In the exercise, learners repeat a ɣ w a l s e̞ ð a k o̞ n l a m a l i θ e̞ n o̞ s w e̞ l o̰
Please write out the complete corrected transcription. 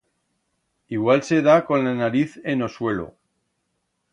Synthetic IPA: i ɣ w a l s e̞ ð a k o̞ n l a n a ɾ i θ e̞ n o̞ s w e̞ l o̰